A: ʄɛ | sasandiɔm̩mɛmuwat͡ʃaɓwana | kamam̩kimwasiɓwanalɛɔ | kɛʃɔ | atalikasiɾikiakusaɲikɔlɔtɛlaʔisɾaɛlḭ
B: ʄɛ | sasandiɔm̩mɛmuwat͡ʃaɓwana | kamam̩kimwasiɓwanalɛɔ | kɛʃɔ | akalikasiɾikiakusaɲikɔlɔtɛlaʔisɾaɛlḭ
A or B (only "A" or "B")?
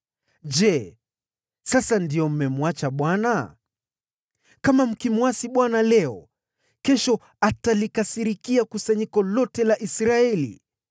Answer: A